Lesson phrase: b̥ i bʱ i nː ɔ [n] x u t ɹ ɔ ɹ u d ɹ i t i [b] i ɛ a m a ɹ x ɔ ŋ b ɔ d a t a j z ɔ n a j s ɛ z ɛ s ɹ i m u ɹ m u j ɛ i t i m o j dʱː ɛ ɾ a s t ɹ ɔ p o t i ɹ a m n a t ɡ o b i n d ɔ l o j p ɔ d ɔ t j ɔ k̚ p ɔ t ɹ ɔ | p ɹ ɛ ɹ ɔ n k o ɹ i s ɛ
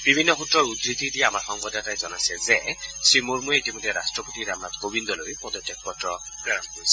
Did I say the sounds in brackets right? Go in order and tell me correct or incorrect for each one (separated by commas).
incorrect, incorrect